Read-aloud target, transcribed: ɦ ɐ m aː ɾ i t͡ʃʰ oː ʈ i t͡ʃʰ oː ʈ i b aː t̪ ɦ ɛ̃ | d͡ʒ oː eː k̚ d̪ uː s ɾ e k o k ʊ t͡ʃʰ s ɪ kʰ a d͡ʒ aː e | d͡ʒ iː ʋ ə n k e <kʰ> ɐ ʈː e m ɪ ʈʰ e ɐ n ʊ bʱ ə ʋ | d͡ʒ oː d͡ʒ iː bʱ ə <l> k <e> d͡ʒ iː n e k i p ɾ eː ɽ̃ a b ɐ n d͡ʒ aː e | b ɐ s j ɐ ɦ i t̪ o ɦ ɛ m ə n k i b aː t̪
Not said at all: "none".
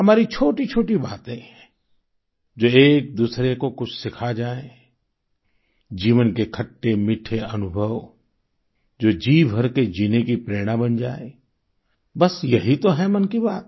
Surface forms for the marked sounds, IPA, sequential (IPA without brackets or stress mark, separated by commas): kʰ, ɾ, e